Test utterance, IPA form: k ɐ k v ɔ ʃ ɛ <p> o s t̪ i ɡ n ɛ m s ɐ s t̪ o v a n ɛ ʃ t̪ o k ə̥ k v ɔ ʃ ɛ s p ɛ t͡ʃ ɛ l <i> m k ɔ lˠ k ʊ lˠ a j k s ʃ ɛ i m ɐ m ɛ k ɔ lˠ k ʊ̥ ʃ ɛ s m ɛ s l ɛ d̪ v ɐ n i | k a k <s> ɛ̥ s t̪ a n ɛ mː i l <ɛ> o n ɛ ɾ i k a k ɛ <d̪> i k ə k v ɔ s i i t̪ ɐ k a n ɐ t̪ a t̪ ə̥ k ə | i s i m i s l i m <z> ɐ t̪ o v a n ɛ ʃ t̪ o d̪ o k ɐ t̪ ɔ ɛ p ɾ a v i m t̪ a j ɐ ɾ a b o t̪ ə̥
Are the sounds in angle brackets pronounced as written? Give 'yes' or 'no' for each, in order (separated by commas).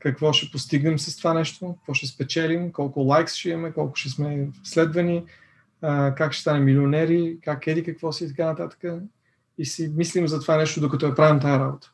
yes, yes, no, no, yes, yes